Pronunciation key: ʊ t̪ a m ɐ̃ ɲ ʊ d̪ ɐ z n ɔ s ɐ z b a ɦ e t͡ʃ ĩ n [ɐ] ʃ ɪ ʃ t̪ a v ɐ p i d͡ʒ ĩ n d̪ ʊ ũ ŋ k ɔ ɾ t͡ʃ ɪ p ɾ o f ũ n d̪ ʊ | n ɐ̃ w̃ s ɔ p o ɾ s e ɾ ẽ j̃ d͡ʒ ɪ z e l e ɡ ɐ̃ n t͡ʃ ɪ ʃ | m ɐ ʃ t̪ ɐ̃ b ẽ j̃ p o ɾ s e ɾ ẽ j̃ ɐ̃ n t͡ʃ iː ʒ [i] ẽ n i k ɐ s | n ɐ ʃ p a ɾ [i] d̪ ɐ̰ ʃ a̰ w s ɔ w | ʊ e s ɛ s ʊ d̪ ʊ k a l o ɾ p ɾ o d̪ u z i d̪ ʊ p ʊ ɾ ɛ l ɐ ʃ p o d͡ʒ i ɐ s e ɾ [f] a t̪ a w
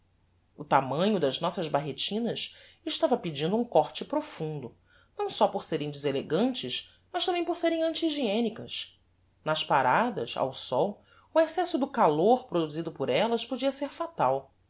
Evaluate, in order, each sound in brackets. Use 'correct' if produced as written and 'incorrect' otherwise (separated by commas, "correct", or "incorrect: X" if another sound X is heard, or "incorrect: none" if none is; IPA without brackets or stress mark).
correct, correct, incorrect: a, correct